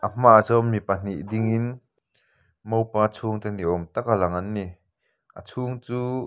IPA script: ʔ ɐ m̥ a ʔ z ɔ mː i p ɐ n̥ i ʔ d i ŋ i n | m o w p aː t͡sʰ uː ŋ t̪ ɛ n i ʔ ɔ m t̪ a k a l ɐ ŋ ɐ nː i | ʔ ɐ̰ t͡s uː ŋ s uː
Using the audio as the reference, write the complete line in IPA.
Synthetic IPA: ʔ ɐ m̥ a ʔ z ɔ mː i p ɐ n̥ i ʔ d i ŋ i n | m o w p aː t͡sʰ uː ŋ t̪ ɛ n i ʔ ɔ m t̪ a k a l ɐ ŋ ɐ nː i | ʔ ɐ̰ t͡sʰ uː ŋ t͡s uː